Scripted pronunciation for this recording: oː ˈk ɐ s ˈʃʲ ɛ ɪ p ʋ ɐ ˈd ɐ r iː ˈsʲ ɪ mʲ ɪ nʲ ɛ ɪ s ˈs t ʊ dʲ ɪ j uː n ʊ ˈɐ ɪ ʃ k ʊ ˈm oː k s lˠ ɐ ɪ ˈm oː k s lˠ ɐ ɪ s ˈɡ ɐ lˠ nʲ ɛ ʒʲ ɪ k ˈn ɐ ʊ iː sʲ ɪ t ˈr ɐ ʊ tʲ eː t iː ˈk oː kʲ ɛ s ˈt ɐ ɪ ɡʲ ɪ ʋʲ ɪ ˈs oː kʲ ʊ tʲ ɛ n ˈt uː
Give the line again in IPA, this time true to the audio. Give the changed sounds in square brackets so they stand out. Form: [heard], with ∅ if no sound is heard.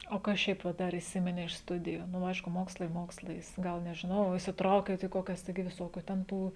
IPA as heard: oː ˈk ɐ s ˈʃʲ ɛ ɪ p ʋ ɐ ˈd ɐ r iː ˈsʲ ɪ mʲ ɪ nʲ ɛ ɪ [ʃ] ˈs t ʊ dʲ ɪ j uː n ʊ ˈɐ ɪ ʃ k ʊ ˈm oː k s lˠ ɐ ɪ ˈm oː k s lˠ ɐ ɪ s ˈɡ ɐ lˠ nʲ ɛ ʒʲ ɪ [∅] ˈn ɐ ʊ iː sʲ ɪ t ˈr ɐ ʊ [kʲ] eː t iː ˈk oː kʲ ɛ s ˈt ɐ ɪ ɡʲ ɪ ʋʲ ɪ ˈs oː kʲ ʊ tʲ ɛ n ˈt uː